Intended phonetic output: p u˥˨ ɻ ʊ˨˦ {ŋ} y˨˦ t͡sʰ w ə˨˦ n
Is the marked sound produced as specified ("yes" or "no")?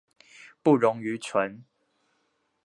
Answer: yes